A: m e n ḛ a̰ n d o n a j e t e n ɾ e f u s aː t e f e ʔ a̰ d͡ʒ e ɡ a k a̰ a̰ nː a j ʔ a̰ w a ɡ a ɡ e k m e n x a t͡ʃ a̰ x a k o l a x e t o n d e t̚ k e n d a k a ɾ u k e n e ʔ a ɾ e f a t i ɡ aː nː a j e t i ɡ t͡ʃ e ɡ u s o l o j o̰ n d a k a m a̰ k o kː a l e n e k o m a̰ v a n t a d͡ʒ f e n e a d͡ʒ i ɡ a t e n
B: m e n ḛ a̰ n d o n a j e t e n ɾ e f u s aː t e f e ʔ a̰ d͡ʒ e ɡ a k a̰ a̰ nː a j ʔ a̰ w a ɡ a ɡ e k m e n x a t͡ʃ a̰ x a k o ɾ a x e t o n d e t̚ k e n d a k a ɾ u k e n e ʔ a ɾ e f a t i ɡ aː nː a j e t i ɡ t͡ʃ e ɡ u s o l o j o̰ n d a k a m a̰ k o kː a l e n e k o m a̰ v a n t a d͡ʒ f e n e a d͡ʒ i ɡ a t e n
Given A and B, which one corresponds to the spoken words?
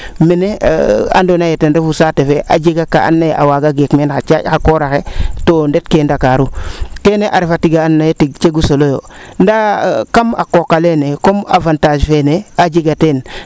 B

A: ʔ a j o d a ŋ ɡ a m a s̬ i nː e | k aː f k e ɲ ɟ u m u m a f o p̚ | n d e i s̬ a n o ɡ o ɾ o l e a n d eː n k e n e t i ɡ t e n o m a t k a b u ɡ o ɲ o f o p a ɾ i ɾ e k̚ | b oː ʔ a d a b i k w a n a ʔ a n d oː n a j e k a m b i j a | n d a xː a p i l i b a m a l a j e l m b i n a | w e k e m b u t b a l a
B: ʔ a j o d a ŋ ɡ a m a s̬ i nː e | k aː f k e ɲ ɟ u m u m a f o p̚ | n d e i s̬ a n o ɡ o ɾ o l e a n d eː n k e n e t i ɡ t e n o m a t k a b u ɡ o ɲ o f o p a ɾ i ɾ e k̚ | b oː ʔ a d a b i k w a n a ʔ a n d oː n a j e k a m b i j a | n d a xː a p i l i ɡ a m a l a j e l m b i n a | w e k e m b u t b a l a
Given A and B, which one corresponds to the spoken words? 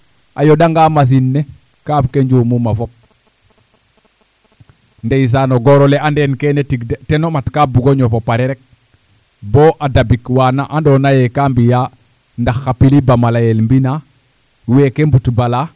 A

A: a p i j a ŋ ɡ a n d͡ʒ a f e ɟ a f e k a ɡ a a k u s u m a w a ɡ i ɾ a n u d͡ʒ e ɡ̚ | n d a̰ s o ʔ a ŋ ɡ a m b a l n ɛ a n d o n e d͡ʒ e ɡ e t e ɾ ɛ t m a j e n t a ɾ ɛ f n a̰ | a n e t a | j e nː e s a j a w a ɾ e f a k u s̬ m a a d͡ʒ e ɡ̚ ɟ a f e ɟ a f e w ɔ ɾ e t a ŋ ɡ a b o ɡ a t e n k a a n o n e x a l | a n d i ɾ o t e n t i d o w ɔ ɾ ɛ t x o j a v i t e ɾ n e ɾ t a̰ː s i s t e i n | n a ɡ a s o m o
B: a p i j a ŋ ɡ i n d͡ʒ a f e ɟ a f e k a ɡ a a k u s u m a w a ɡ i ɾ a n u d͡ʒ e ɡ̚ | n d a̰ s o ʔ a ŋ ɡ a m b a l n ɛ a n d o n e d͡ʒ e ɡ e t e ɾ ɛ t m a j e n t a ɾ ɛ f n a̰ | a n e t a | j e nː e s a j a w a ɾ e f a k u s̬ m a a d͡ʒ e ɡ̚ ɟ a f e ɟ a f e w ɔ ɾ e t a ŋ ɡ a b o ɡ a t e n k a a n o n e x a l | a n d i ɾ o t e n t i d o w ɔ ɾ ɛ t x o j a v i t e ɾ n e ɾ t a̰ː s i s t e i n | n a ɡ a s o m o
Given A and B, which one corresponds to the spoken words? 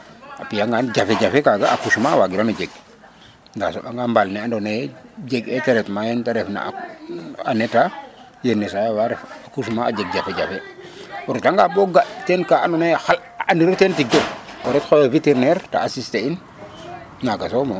A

